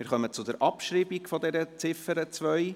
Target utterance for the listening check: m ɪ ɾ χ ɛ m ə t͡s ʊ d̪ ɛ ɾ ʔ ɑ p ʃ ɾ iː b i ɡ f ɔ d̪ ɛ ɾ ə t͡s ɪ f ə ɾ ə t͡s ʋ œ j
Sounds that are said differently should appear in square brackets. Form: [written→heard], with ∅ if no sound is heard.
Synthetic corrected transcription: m ɪ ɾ χ [ɛ→œ] m ə t͡s ʊ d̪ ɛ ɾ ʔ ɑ p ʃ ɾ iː b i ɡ f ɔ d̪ ɛ ɾ ə t͡s ɪ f ə ɾ ə t͡s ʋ œ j